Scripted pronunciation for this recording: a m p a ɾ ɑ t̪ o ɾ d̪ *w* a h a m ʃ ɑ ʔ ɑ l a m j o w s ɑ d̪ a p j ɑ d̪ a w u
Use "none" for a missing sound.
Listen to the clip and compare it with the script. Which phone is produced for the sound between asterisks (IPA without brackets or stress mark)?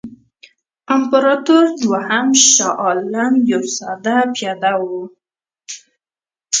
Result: w